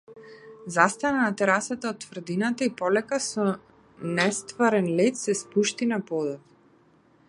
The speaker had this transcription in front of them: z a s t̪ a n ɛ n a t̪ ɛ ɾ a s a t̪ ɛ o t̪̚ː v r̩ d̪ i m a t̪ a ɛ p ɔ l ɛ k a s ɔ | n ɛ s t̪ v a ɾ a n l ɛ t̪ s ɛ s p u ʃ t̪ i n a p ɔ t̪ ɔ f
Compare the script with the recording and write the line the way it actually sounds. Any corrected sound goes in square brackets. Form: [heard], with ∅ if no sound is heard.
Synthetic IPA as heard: z a s t̪ a n [a] n a t̪ ɛ ɾ a s a t̪ [a] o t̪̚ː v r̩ d̪ i [n] a t̪ a [i] p ɔ l ɛ k a s ɔ | n ɛ s t̪ v a ɾ [ɛ] n l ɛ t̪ s ɛ s p u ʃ t̪ i n a p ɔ [d̪] ɔ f